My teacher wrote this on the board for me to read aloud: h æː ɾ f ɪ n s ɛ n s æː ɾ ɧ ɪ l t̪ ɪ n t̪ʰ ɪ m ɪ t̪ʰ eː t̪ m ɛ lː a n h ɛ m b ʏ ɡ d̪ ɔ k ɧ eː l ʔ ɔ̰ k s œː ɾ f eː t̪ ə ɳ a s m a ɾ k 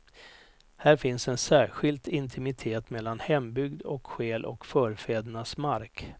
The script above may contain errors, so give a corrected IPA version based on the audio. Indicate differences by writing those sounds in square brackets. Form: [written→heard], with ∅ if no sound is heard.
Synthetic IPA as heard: h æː ɾ f ɪ n s ɛ n s æː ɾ ɧ ɪ l t̪ ɪ n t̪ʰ ɪ m ɪ t̪ʰ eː t̪ m ɛ lː a n h ɛ m b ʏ ɡ d̪ ɔ k ɧ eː l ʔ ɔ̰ k [s→f] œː ɾ f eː [t̪→d̪] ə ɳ a s m a ɾ k